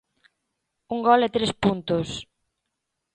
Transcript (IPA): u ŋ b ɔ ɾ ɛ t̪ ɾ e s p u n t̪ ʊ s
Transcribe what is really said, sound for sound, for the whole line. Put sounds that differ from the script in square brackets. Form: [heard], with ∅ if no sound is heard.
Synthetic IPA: u ŋ [ɡ] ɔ [l] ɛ t̪ ɾ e s p u n t̪ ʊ s